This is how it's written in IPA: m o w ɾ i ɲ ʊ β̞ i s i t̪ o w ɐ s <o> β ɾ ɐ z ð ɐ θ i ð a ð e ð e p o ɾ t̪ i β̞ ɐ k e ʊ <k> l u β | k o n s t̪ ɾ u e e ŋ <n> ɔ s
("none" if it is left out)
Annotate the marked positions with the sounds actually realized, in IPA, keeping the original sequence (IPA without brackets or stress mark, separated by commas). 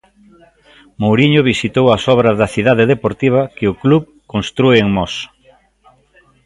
ɔ, k, m